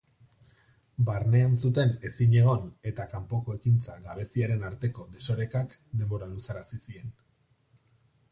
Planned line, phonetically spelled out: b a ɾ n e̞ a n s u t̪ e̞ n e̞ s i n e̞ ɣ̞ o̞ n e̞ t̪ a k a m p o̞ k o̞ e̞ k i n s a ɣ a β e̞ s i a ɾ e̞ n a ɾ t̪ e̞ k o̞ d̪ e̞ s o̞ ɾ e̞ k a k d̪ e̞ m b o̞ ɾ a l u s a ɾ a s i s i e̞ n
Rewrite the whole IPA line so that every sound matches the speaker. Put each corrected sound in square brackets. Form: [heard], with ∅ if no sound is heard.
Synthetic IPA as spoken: b a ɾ n e̞ a n s u t̪ e̞ n e̞ s i [ɲ] e̞ ɣ̞ o̞ n e̞ t̪ a k a m p o̞ k o̞ e̞ k i n [t͡s] a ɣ a β e̞ s i a ɾ e̞ n a ɾ t̪ e̞ k o̞ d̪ e̞ s o̞ ɾ e̞ k a k d̪ e̞ m b o̞ ɾ a l u s a ɾ a s i s i e̞ n